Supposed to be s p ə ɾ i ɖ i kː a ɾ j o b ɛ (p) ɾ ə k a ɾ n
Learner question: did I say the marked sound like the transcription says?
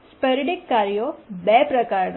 yes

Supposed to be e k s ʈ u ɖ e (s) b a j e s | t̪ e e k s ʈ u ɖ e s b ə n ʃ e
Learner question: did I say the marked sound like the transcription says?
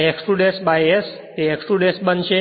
yes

